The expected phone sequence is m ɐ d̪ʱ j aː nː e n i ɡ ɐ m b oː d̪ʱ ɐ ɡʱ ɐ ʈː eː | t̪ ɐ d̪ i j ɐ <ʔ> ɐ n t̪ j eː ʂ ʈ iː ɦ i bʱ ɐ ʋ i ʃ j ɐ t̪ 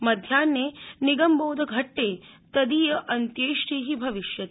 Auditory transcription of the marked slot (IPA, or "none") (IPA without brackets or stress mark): ʔ